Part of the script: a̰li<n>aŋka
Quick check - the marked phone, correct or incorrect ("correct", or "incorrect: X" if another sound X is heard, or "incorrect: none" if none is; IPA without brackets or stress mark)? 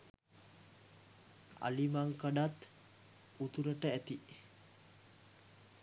incorrect: m